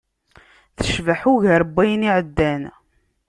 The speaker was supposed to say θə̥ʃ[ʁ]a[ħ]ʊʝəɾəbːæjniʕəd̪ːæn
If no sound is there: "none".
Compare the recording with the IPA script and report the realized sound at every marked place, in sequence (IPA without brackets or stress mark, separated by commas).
v, ħ